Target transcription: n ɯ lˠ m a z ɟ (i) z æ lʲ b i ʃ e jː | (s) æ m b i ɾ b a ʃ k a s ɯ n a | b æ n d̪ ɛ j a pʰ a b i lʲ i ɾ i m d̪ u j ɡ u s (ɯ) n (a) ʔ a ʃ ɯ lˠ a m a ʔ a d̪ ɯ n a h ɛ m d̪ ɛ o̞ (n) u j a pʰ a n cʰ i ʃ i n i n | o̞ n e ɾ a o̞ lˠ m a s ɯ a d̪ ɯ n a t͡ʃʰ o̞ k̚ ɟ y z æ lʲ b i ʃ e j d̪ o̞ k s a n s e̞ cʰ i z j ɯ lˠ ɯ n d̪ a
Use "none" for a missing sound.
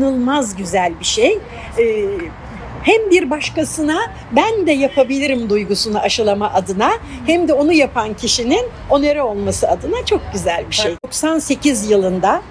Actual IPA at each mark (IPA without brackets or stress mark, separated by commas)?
y, h, u, a, n